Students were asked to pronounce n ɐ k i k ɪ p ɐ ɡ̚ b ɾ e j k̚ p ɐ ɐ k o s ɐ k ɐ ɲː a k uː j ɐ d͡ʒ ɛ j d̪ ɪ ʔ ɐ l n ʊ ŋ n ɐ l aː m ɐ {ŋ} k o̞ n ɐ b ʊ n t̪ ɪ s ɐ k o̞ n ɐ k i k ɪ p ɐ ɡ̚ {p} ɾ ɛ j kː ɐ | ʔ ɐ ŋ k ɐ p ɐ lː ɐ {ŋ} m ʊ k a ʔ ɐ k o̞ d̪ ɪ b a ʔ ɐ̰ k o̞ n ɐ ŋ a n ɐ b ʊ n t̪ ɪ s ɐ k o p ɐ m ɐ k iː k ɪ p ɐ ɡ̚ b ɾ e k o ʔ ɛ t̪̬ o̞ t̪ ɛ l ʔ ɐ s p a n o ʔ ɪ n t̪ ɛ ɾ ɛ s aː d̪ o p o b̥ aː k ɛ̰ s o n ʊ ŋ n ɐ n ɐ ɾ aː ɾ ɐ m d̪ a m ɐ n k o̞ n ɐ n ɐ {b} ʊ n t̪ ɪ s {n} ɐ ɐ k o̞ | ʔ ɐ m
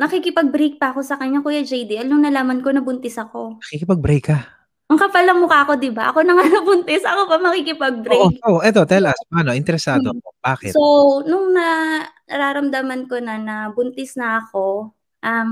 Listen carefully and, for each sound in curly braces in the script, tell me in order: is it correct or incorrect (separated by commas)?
incorrect, incorrect, correct, correct, correct